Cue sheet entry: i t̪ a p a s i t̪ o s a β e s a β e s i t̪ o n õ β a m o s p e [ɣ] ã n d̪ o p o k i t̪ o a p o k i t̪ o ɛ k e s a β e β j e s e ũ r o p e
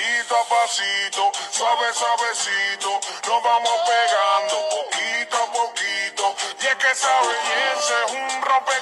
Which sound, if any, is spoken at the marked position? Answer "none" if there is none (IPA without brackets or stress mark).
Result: ɣ